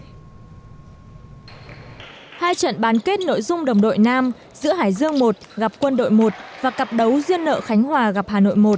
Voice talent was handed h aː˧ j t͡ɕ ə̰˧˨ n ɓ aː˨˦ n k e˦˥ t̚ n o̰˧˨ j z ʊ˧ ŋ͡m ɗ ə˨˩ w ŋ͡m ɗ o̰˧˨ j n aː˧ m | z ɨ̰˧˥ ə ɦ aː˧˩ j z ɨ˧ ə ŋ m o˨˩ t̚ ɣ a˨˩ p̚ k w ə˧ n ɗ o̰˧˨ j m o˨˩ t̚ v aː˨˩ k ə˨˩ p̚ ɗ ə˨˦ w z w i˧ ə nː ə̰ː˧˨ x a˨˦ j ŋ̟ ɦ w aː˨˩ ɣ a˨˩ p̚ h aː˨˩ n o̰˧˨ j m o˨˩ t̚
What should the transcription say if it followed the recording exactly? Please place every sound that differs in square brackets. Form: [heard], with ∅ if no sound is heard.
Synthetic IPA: h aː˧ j t͡ɕ ə̰˧˨ n ɓ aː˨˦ n k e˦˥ t̚ n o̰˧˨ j z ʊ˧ ŋ͡m ɗ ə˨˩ w ŋ͡m ɗ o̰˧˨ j n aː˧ m | z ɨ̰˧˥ ə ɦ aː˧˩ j z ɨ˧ ə ŋ m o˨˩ t̚ ɣ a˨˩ p̚ k w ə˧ n ɗ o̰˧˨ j m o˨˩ t̚ v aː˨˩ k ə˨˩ p̚ ɗ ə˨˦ w z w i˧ ə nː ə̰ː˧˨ x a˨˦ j ŋ̟ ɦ w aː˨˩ ɣ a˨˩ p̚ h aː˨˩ n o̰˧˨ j m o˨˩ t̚